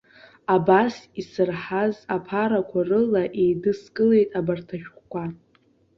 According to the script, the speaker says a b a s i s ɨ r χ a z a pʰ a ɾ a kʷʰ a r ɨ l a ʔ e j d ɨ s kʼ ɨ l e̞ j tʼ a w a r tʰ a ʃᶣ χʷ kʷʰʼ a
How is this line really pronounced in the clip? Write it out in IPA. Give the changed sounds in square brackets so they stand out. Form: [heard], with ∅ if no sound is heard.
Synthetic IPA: a b a s i s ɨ r [ħ] a z a pʰ a ɾ a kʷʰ a r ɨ l a ʔ e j d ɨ s kʼ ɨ l e̞ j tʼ a [b] a r tʰ a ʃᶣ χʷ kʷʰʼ a